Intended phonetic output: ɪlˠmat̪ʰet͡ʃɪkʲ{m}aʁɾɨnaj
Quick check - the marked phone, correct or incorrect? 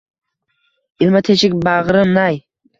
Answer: incorrect